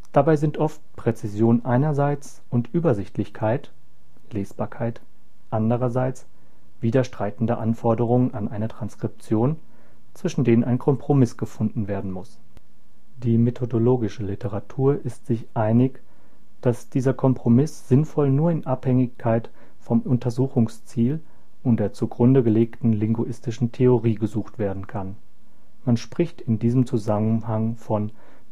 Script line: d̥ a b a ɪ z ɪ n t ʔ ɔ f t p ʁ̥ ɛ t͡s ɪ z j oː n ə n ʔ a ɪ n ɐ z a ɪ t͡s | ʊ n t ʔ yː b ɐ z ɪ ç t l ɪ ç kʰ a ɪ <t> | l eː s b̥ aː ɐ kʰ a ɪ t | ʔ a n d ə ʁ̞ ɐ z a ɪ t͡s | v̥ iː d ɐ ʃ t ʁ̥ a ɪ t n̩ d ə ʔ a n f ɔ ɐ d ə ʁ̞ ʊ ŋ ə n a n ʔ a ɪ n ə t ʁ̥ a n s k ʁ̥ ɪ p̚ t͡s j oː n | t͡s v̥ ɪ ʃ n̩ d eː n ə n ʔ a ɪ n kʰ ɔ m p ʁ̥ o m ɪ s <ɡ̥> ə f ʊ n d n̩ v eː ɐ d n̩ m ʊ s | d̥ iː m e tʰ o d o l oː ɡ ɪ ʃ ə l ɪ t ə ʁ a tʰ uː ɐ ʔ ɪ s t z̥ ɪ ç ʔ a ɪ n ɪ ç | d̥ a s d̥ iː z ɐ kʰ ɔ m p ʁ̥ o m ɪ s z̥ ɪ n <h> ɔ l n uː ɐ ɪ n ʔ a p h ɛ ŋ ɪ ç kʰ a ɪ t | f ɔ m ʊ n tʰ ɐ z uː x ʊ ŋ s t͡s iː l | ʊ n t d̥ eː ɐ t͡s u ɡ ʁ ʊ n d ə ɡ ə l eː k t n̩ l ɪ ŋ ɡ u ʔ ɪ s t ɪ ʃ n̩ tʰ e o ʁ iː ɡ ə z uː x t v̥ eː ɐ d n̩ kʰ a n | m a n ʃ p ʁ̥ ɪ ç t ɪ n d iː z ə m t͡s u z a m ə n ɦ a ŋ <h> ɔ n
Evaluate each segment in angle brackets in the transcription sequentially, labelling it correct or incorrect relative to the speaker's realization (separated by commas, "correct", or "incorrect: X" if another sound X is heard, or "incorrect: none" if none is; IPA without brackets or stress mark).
correct, correct, incorrect: f, incorrect: f